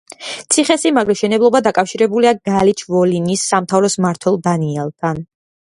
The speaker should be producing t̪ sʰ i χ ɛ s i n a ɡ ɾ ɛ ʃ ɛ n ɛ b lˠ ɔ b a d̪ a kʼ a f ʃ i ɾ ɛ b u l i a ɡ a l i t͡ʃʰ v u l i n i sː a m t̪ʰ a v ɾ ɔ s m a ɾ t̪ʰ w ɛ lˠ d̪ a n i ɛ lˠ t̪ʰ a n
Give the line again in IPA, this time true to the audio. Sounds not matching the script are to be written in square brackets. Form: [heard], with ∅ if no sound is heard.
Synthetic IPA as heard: t̪ sʰ i χ ɛ s i [m] a ɡ ɾ ɛ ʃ ɛ n ɛ b lˠ ɔ b a d̪ a kʼ a f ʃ i ɾ ɛ b u l i a ɡ a l i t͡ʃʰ v [ɔ] l i n i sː a m t̪ʰ a v ɾ ɔ s m a ɾ t̪ʰ w ɛ lˠ d̪ a n i ɛ lˠ t̪ʰ a n